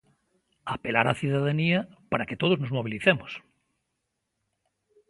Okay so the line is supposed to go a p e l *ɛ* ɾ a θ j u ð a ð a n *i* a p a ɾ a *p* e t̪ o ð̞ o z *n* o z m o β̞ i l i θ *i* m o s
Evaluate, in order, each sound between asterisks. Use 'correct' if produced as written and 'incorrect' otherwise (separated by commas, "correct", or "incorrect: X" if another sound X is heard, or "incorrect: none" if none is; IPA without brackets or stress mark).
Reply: incorrect: a, correct, incorrect: k, correct, incorrect: e